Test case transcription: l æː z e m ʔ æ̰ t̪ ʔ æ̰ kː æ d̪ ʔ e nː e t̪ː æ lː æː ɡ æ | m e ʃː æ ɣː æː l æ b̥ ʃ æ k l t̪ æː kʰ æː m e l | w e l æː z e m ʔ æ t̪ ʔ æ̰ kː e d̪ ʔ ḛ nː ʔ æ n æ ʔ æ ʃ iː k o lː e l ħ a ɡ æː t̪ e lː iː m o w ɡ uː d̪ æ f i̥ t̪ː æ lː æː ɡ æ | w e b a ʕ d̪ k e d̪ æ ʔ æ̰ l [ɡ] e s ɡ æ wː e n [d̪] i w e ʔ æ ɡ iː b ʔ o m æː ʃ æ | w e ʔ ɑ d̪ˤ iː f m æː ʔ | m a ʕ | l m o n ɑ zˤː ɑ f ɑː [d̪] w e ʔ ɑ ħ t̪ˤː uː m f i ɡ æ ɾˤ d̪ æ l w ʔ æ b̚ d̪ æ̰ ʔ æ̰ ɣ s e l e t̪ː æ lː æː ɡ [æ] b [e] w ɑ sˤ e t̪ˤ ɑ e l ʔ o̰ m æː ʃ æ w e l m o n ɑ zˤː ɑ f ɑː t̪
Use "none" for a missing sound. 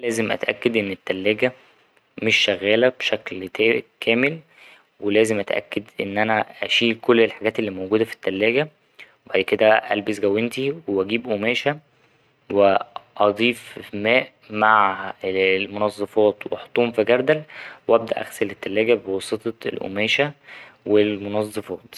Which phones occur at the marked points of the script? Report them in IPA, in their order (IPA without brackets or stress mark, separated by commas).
b, t̪, t̪, æ, e